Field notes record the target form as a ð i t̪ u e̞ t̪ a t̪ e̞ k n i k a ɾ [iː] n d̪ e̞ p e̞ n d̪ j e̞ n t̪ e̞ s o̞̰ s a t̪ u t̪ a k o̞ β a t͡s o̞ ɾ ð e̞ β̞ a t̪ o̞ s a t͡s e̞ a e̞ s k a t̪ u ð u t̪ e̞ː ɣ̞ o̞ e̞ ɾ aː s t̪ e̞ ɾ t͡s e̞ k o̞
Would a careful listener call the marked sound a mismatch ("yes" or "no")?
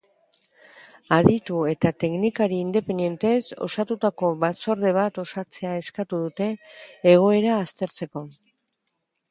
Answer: no